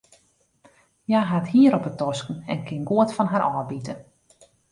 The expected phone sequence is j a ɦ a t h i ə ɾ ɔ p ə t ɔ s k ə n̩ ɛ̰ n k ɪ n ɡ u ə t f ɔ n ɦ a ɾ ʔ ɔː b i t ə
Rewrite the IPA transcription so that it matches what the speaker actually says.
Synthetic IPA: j a ɦ a t h i ə ɾ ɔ p ə t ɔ s k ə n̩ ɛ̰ n k ɪ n ɡ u ə t f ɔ n ɦ a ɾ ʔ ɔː b i t ə